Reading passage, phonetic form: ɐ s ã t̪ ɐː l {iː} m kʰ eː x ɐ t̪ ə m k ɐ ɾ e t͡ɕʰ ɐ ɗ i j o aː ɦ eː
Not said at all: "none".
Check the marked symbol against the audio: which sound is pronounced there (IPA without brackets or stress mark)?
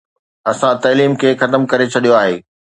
iː